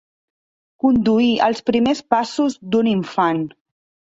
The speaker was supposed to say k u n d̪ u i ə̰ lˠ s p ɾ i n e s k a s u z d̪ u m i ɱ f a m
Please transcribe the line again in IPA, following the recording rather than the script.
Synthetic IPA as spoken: k u n d̪ u i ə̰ lˠ s p ɾ i m e s p a s u z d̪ u n i ɱ f a n